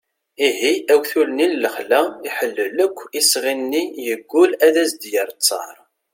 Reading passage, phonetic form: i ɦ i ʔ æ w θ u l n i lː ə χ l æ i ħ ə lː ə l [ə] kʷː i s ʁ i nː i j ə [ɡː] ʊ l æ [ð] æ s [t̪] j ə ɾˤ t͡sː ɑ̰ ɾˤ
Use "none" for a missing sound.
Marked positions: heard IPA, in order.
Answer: ə, ɡː, ð, d̪

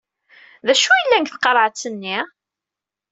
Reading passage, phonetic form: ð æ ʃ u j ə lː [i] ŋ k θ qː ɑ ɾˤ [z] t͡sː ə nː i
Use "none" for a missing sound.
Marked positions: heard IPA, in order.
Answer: æ, ʕ

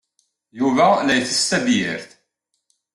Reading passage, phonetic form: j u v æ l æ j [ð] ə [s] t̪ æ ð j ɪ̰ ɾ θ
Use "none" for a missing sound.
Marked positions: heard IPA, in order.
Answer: θ, s

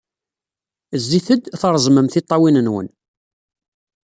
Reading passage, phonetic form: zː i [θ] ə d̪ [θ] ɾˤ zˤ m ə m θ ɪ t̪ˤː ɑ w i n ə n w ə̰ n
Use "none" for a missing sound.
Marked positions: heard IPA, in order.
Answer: θ, θ

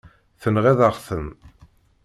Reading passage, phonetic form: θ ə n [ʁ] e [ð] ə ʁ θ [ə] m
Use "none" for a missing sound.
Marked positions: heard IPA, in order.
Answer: ʁ, ð, ə

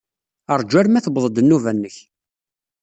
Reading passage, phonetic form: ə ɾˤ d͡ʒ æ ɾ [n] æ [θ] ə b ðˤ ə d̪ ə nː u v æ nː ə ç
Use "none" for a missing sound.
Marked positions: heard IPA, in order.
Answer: m, θ

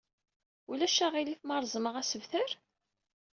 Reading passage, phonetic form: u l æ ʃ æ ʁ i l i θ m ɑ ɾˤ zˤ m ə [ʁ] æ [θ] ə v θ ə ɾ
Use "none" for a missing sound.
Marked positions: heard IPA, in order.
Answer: ʁ, s

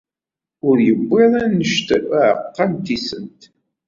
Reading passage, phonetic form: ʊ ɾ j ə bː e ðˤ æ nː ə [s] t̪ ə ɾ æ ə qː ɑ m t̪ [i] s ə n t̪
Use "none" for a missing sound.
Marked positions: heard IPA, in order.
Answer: ʃ, i

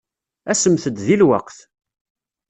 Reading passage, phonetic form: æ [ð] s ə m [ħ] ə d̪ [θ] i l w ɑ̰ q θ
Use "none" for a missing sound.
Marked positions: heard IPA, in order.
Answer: none, θ, ð

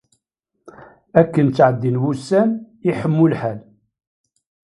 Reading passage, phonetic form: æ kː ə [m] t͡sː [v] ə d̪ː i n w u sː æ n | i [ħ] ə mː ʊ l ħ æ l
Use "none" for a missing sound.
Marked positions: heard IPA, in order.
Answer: n, ʕ, ħ

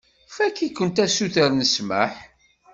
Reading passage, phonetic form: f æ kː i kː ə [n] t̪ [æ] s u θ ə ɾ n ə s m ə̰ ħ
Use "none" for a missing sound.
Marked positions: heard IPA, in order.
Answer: n, æ

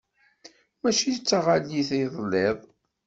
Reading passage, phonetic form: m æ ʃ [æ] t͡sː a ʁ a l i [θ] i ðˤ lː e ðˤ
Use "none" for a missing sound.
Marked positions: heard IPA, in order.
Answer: i, θ

